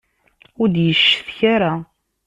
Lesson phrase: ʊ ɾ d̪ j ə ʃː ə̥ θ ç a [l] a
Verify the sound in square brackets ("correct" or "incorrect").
incorrect